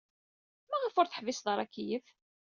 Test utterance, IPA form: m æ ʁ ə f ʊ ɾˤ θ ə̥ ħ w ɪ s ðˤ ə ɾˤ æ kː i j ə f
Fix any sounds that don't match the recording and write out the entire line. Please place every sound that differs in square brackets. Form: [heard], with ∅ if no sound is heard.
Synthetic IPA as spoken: m æ ʁ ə f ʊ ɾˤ θ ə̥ ħ [v] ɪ s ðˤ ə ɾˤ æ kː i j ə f